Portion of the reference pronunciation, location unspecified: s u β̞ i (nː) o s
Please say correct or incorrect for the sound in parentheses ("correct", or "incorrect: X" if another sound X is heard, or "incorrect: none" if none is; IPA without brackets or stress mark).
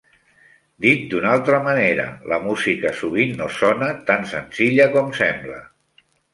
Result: correct